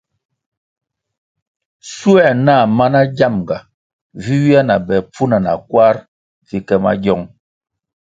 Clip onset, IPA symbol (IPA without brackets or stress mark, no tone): s